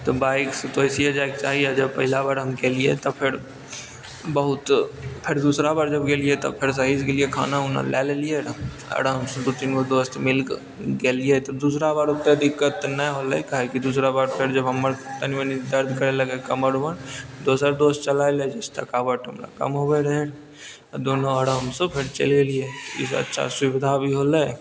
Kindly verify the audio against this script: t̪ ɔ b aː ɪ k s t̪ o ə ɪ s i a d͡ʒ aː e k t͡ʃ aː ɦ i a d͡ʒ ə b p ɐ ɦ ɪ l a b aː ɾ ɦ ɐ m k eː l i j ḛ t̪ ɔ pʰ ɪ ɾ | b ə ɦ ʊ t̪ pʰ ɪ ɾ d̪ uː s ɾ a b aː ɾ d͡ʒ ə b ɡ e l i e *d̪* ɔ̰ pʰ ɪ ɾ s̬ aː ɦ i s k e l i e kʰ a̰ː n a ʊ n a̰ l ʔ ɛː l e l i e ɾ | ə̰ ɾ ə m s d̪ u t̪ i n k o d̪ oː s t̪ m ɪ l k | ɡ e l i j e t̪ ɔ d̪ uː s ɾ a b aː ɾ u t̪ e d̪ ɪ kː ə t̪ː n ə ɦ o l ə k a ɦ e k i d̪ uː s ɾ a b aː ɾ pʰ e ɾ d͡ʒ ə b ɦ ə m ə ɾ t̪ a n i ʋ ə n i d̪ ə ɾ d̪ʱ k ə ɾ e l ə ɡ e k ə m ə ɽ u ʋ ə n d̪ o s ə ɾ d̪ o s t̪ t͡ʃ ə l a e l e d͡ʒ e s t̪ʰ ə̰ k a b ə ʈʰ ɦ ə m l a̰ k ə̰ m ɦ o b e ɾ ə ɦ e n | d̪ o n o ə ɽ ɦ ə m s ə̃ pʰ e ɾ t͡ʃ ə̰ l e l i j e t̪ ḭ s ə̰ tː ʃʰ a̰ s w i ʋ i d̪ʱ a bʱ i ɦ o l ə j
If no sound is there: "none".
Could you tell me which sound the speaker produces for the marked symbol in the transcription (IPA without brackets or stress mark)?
t̪